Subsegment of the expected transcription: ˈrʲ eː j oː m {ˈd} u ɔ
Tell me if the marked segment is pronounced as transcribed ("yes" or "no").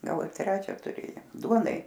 yes